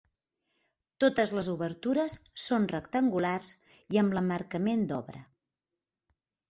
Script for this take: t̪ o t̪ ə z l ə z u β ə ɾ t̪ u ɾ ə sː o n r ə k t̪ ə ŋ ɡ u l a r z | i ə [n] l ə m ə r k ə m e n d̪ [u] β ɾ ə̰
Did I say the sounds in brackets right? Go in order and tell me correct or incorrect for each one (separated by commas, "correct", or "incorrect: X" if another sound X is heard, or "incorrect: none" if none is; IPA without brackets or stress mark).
incorrect: m, incorrect: ɔ